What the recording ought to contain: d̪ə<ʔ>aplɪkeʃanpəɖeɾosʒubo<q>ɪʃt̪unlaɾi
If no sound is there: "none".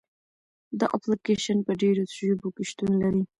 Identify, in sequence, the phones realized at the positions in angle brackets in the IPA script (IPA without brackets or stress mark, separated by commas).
ʔ, k